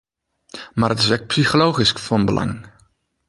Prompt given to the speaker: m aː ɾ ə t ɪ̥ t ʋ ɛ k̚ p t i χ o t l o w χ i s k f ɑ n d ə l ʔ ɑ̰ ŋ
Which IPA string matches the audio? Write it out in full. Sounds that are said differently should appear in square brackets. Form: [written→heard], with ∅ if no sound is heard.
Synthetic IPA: m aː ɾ ə t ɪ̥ [t→s] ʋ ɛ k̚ p [t→s] i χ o [t→∅] l o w χ i s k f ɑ n [d→b] ə l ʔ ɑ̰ ŋ

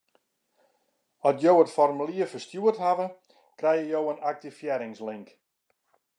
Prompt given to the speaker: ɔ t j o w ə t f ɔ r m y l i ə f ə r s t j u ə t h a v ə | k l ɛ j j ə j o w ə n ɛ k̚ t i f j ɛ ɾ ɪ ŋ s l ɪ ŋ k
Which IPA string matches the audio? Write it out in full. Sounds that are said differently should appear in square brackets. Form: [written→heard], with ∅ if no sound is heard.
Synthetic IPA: ɔ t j o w ə t f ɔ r m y l i ə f ə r s t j u ə t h a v ə | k [l→r] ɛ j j ə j o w ə n [ɛ→a] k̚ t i f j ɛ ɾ ɪ ŋ s l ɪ ŋ k

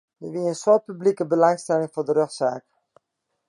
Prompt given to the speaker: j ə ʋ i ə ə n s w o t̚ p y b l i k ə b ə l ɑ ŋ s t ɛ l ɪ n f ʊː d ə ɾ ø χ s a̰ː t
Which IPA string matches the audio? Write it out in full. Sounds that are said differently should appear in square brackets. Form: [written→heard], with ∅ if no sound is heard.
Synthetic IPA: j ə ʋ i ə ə n s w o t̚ p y b l i k ə b ə l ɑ ŋ s t ɛ l ɪ [n→ŋ] f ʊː d ə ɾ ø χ s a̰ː [t→k]

